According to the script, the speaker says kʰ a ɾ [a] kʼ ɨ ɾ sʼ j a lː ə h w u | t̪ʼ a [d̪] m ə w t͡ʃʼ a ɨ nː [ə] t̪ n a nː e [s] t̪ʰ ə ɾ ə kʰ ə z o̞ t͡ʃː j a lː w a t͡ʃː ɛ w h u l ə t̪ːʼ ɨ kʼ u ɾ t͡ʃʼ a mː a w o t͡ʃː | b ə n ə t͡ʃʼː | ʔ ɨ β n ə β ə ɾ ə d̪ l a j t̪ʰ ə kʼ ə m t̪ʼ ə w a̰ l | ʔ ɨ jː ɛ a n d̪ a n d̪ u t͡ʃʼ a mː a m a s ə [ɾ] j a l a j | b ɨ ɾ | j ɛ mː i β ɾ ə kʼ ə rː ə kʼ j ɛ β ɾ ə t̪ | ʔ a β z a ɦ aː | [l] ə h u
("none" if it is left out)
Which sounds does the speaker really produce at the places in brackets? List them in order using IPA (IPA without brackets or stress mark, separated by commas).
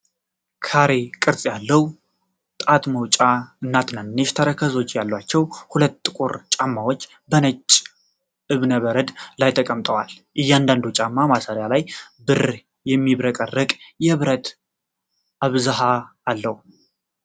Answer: e, t̪, a, ʃ, ɾ, lː